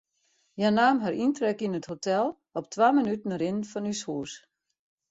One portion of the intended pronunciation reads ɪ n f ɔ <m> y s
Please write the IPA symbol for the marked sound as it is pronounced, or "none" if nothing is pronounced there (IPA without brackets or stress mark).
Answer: n